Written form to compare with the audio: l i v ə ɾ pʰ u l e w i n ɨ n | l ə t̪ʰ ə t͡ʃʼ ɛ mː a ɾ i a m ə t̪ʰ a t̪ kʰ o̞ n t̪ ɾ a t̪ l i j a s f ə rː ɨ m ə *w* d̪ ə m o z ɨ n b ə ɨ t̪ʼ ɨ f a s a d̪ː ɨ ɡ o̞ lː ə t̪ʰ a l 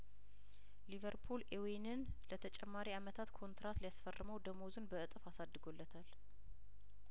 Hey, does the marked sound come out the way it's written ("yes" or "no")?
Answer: yes